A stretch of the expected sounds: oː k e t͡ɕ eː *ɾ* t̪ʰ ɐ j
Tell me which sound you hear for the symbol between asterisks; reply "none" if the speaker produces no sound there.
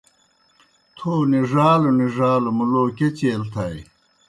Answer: l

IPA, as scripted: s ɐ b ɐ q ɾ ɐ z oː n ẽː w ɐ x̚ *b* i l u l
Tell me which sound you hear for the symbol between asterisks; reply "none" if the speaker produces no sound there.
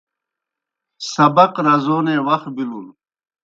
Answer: b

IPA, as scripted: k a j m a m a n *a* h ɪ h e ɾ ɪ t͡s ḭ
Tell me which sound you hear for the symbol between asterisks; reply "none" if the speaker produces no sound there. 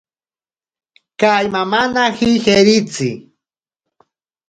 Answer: a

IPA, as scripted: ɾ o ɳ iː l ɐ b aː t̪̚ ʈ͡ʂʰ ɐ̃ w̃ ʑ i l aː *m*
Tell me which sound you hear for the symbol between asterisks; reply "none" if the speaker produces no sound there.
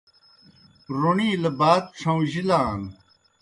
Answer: n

